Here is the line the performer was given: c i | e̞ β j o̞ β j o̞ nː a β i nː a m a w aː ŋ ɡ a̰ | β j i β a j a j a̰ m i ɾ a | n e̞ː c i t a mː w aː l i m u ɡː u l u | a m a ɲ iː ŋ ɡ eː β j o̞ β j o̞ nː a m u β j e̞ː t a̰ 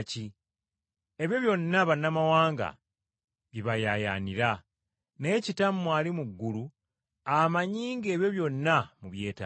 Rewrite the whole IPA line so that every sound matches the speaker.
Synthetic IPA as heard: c i | e̞ β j o̞ β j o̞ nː a β a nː a m a w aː ŋ ɡ a̰ | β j i β a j a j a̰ n i ɾ a | n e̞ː c i t a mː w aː l i m u ɡː u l u | a m a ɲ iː ŋ ɡ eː β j o̞ β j o̞ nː a m u β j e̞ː t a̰